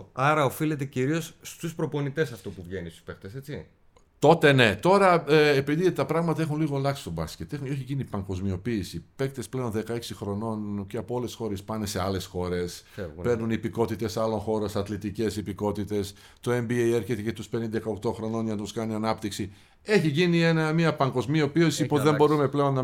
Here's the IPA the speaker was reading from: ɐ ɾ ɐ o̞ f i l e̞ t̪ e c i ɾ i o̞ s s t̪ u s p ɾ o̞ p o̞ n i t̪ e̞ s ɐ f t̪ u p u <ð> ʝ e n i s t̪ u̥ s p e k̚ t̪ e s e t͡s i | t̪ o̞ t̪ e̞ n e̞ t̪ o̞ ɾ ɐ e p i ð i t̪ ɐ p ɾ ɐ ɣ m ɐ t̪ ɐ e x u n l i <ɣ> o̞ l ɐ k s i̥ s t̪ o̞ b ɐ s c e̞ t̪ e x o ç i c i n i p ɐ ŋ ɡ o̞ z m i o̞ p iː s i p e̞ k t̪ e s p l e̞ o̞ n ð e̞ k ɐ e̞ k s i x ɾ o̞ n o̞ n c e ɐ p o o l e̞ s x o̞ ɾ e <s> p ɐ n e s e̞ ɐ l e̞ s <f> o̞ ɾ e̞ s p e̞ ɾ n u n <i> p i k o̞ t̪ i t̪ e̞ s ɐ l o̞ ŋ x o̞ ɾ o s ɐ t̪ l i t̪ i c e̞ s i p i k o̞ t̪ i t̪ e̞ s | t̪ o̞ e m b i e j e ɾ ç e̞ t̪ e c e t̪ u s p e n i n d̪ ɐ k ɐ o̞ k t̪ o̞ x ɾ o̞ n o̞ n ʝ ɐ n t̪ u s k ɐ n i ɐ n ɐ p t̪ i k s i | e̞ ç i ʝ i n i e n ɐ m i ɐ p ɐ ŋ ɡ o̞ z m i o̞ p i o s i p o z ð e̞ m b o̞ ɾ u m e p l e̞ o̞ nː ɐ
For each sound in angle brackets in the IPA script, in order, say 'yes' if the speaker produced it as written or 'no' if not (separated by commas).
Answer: no, yes, yes, no, yes